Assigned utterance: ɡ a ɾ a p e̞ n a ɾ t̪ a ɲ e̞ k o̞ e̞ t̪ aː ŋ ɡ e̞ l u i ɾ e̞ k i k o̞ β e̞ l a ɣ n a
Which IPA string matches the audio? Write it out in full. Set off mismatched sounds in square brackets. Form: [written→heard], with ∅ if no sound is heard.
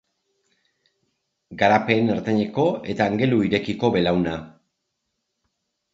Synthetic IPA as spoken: ɡ a ɾ a p e̞ n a ɾ t̪ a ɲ e̞ k o̞ e̞ t̪ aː ŋ ɡ e̞ l u i ɾ e̞ k i k o̞ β e̞ l a [ɣ→w] n a

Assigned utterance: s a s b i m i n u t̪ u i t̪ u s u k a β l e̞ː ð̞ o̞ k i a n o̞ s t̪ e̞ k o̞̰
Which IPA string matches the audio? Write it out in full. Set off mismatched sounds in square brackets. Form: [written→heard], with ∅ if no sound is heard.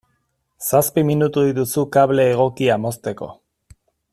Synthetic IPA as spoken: s a s [b→p] i m i n u t̪ u i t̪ u s u k a β l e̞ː [ð̞→ɣ̞] o̞ k i a [n→m] o̞ s t̪ e̞ k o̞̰

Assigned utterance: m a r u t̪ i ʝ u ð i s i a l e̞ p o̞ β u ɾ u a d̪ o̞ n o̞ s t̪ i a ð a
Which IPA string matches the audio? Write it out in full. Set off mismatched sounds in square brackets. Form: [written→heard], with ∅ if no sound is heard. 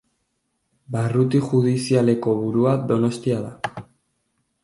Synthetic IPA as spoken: [m→b] a r u t̪ i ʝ u ð i s i a l e̞ [p→k] o̞ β u ɾ u a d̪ o̞ n o̞ s t̪ i a ð a

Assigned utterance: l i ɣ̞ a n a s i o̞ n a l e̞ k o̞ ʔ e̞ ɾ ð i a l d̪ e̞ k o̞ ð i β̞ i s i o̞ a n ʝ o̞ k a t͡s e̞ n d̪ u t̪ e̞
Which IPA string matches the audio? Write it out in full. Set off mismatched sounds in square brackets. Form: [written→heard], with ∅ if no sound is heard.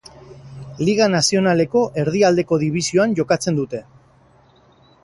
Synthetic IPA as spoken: l i ɣ̞ a n a s i o̞ n a l e̞ k o̞ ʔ e̞ ɾ ð i a l d̪ e̞ k o̞ ð i β̞ i s i o̞ a n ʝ o̞ k a t͡s e̞ n d̪ u t̪ e̞

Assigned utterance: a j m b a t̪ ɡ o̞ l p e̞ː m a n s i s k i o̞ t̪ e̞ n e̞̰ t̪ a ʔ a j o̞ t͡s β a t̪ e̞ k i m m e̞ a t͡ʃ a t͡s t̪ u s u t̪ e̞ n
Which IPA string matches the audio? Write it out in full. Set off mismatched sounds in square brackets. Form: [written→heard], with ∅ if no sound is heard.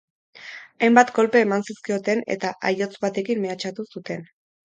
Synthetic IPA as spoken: a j m b a t̪ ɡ o̞ l p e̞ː m a n s i s k i o̞ t̪ e̞ n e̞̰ t̪ a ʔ a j o̞ t͡s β a t̪ e̞ k i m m e̞ a t͡ʃ a [t͡s→∅] t̪ u s u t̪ e̞ n

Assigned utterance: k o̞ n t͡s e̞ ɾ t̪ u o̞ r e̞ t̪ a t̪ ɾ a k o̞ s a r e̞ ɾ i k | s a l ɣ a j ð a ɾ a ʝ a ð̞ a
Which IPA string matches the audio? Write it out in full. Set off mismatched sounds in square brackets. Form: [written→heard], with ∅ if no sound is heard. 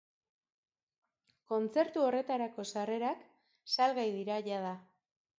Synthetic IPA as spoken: k o̞ n t͡s e̞ ɾ t̪ u o̞ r e̞ t̪ a [t̪→∅] ɾ a k o̞ s a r e̞ ɾ [i→a] k | s a l ɣ a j ð [a→i] ɾ a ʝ a ð̞ a

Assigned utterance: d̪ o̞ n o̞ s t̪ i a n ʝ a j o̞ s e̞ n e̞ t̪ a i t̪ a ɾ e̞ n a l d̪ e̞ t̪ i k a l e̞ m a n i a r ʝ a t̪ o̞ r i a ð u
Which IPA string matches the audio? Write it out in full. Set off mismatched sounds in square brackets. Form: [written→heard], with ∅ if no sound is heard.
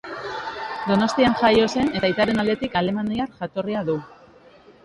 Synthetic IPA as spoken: d̪ o̞ n o̞ s t̪ i a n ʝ a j o̞ s e̞ n e̞ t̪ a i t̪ a ɾ e̞ n a l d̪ e̞ t̪ i k a l e̞ m a n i a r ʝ a t̪ o̞ r i a ð u

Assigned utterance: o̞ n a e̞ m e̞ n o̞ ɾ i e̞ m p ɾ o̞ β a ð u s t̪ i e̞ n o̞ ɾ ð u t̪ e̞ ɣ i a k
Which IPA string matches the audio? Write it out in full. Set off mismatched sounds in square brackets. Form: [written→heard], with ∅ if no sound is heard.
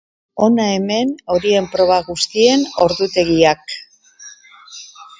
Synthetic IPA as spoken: o̞ n a e̞ m e̞ n o̞ ɾ i e̞ m p ɾ o̞ β a [ð→ɣ] u s t̪ i e̞ n o̞ ɾ ð u t̪ e̞ ɣ i a k

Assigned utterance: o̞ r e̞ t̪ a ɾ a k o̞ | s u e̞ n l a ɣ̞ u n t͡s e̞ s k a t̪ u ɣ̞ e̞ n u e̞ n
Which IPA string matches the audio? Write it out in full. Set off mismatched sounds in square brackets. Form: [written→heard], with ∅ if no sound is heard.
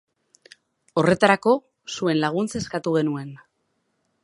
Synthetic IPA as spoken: o̞ r e̞ t̪ a ɾ a k o̞ | s u e̞ n l a ɣ̞ u n t͡s e̞ s k a t̪ u ɣ̞ e̞ n u e̞ n

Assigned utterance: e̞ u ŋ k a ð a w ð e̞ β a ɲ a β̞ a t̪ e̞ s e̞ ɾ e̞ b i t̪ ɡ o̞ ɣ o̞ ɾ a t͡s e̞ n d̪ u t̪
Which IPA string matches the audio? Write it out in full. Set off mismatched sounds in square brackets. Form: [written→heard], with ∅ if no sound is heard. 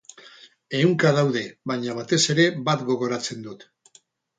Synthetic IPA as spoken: e̞ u ŋ k a ð a w ð e̞ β a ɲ a β̞ a t̪ e̞ s e̞ ɾ e̞ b [i→a] t̪ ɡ o̞ ɣ o̞ ɾ a t͡s e̞ n d̪ u t̪

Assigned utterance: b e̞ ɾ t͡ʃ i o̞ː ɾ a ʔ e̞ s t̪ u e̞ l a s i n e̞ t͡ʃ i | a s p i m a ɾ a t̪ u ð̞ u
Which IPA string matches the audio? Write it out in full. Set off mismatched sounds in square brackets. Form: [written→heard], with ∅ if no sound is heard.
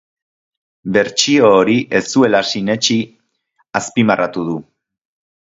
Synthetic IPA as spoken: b e̞ ɾ t͡ʃ i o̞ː ɾ [a→i] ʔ e̞ s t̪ u e̞ l a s i n e̞ t͡ʃ i | a s p i m a [ɾ→r] a t̪ u ð̞ u

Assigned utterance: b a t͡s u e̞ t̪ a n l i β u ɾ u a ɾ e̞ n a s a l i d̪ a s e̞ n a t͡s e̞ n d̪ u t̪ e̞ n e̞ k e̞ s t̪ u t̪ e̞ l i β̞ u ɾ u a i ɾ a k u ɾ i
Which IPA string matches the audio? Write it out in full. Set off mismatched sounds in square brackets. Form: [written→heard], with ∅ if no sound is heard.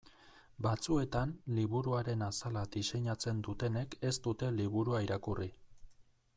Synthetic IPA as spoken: b a t͡s u e̞ t̪ a n l i β u ɾ u a ɾ e̞ n a s a l [i→a] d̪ [a→i] s e̞ [n→ɲ] a t͡s e̞ n d̪ u t̪ e̞ n e̞ k e̞ s t̪ u t̪ e̞ l i β̞ u ɾ u a i ɾ a k u [ɾ→r] i

